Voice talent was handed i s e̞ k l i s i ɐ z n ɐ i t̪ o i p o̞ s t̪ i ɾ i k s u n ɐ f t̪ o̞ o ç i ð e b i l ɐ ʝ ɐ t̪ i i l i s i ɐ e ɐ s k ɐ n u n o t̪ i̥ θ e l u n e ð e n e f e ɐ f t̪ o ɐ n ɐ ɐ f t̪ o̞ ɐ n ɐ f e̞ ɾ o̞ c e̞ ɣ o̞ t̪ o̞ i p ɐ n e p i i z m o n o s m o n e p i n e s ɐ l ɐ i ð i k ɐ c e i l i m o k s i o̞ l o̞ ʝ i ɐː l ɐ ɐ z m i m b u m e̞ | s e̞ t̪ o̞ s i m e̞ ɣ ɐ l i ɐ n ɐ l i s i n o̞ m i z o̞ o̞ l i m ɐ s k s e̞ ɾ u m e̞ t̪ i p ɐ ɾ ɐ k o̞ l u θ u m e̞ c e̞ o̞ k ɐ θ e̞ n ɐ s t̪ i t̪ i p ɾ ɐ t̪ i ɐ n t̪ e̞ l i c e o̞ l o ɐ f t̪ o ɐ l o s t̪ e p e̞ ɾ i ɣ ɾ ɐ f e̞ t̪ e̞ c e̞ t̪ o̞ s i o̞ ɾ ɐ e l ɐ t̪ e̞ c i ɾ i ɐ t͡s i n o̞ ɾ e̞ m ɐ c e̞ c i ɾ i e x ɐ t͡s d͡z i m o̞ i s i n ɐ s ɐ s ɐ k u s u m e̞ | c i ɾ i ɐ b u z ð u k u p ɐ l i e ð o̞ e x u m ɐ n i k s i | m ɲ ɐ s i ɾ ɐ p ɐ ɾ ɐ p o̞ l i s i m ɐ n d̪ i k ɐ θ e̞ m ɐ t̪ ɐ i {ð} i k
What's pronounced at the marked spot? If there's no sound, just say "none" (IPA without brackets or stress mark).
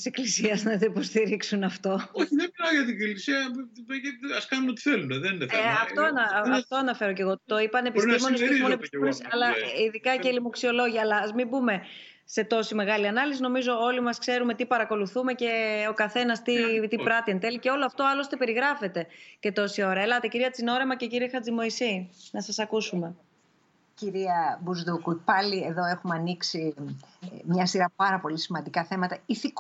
θ